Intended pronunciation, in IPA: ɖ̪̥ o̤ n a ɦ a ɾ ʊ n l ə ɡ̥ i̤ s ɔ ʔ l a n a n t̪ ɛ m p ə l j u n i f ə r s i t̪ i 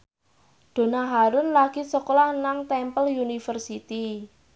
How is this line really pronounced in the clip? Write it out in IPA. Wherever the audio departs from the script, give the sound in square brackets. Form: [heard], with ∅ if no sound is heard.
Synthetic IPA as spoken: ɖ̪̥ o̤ n a ɦ a ɾ ʊ n l [a] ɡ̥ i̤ s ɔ [k] l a n a [ŋ] t̪ ɛ m p ə l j u n i f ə r s i t̪ i